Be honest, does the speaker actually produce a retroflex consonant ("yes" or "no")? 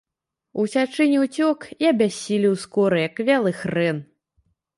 yes